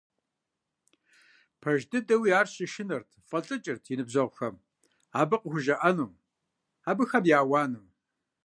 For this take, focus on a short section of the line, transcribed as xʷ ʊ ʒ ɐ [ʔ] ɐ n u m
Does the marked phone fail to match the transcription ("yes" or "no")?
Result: no